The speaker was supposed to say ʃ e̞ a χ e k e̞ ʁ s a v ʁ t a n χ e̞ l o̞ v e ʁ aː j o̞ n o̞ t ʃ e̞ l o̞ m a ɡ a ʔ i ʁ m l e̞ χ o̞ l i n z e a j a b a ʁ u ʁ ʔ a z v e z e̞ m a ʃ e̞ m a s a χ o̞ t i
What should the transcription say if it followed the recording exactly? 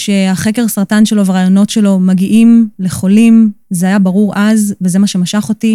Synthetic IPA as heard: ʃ e̞ a χ e k e̞ ʁ s a ʁ t a n ʃ e̞ l o̞ v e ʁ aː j o̞ n o̞ t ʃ e̞ l o̞ m a ɡ i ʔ i m l e̞ χ o̞ l i m z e a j a b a ʁ u ʁ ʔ a z v e z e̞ m a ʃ e̞ m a ʃ a χ o̞ t i